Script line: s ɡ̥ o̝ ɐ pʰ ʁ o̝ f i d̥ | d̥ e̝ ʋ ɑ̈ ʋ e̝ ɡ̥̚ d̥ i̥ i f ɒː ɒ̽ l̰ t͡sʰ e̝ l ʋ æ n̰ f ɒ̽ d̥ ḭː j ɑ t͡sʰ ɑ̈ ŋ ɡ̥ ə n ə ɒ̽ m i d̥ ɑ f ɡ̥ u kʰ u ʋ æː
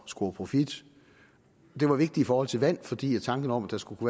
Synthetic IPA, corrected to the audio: s ɡ̥ o̝ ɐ pʰ ʁ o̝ f i d̥ | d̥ e̝ ʋ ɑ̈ ʋ e̝ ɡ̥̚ d̥ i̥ i f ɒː ɒ̽ l̰ t͡sʰ e̝ l ʋ æ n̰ f ɒ̽ d̥ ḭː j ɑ t͡sʰ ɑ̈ ŋ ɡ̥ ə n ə ɒ̽ m æ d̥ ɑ s ɡ̥ u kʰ u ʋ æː